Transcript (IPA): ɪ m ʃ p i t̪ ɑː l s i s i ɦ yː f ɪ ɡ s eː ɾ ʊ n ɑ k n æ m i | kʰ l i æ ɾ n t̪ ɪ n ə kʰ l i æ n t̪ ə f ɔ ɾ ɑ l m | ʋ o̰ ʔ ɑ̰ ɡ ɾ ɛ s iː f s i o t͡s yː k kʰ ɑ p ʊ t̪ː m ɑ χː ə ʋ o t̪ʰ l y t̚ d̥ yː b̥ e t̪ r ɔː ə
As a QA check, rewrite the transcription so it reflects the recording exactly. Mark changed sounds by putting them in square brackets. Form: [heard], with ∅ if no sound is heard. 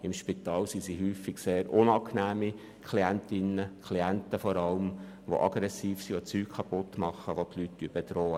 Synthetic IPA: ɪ m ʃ p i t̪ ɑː l s i s i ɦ yː f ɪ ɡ s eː ɾ ʊ n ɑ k n [æː] m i | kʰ l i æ [∅] n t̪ ɪ n ə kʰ l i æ n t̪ ə f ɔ ɾ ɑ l m | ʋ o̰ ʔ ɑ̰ ɡ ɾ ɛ s iː f s i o t͡s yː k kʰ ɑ p ʊ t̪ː m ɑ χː ə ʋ o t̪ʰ l y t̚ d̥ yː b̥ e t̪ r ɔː ə

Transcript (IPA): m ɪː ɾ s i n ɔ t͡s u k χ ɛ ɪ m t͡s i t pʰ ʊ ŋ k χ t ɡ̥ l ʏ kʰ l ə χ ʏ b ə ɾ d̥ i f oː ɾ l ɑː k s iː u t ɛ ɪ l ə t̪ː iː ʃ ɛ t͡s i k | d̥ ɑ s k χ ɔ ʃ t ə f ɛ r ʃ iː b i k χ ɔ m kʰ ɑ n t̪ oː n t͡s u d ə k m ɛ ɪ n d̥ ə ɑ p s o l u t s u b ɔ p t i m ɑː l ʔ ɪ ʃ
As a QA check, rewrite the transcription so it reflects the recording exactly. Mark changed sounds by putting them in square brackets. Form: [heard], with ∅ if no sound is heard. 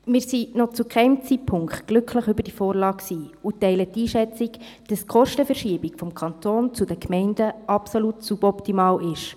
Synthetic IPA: m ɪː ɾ s i n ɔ t͡s u k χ ɛ ɪ m t͡s i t pʰ ʊ ŋ k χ t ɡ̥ l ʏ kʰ l ə χ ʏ b ə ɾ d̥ i f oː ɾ l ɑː k s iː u t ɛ ɪ l ə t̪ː iː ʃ ɛ t͡s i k | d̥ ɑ s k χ ɔ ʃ t ə f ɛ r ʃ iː b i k [f] ɔ m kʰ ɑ n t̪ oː n t͡s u d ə k m ɛ ɪ n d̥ ə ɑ p s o l u t s u b ɔ p t i m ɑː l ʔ ɪ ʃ

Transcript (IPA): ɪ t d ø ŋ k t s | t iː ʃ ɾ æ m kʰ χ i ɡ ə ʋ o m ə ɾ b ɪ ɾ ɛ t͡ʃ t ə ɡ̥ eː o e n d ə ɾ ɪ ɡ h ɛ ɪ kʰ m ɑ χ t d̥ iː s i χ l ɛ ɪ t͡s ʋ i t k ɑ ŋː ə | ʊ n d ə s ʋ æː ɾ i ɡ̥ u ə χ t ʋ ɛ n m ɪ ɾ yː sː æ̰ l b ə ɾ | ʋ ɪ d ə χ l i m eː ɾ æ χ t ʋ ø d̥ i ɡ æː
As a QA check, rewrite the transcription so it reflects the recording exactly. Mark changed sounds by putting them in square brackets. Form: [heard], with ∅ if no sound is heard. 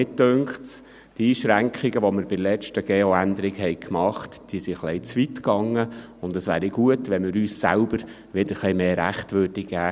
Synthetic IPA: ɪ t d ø ŋ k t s | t iː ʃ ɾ æ [ŋ] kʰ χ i ɡ ə ʋ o m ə ɾ b ɪ [l] ɛ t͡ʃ t ə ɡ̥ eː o [æ] n d ə ɾ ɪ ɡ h ɛ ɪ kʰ m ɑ χ t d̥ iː s i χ l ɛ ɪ t͡s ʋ i t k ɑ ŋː ə | ʊ n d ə s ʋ æː ɾ i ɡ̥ u ə [∅] t ʋ ɛ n m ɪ ɾ yː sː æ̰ l b ə ɾ | ʋ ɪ d ə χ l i m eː ɾ æ χ t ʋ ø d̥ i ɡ æː

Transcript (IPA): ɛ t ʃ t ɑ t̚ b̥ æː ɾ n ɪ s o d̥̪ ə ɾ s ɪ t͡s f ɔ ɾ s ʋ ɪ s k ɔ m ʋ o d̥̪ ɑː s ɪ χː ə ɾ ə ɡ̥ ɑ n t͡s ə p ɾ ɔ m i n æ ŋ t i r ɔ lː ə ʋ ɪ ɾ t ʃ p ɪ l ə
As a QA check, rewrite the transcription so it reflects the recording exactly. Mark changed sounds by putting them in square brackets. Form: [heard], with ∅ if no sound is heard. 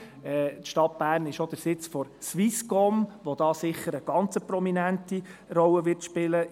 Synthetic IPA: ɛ t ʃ t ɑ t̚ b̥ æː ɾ n ɪ [ʃ] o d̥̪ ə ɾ s ɪ t͡s f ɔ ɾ s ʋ [i] s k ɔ m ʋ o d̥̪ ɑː s ɪ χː ə ɾ ə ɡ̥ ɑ n t͡s ə p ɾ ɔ m i n æ [n] t i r ɔ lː ə ʋ ɪ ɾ t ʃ p ɪ l ə

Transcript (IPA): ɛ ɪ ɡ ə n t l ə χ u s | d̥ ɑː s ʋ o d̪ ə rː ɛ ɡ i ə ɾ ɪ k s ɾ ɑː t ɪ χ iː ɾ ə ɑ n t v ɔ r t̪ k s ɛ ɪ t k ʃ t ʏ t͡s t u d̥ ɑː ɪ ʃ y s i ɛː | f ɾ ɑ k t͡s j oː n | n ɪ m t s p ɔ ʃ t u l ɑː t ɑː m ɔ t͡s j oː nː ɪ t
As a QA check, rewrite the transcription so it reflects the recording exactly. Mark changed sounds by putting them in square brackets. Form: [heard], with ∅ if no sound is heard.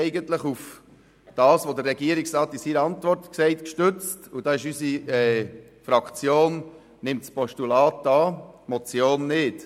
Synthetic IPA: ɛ ɪ ɡ ə n t l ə χ u [f] | d̥ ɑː s ʋ o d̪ ə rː ɛ ɡ i ə ɾ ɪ k s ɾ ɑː t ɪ [s] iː ɾ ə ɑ n t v ɔ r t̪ k s ɛ ɪ t k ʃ t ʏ t͡s t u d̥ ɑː ɪ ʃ y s i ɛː | f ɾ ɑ k t͡s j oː n | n ɪ m t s p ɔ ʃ t u l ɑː t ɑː m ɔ t͡s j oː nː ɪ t

